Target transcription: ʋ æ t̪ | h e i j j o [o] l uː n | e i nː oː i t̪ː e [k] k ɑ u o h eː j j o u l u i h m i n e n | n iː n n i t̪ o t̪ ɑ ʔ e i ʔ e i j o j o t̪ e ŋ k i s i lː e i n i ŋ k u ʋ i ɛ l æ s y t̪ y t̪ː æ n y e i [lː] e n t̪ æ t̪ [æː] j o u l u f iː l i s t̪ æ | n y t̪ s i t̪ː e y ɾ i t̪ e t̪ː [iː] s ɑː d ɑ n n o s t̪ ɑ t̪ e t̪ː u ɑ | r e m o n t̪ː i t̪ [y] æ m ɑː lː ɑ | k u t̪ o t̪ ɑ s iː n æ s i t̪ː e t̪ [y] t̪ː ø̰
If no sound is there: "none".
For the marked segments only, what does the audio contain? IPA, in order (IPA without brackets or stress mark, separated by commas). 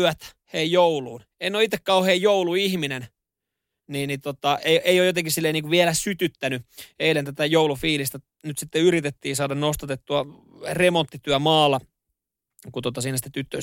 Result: u, k, l, æ, iː, y, y